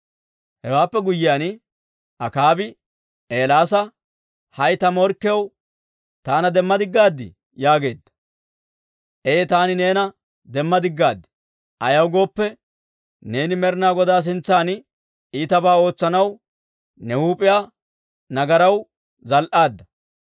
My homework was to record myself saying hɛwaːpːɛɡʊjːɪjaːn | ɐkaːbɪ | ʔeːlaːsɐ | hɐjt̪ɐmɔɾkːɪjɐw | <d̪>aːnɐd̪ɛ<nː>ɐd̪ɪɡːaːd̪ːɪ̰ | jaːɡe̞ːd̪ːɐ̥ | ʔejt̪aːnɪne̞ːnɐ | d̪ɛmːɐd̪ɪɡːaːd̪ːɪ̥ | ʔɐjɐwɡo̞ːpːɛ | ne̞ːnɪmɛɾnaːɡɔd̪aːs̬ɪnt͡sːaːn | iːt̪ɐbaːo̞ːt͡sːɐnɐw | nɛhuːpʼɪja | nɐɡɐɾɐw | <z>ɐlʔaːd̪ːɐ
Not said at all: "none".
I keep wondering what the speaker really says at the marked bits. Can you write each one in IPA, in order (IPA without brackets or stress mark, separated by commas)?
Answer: t̪, mː, z